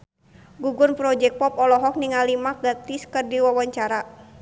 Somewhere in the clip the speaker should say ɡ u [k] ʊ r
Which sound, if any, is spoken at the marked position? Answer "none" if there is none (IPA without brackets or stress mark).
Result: ɡ